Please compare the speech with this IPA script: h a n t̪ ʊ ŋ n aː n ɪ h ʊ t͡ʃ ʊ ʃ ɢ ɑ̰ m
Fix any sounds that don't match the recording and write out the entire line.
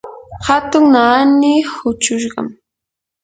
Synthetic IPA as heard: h a t̪ ʊ ŋ n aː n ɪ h ʊ t͡ʃ ʊ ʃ ɢ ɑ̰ m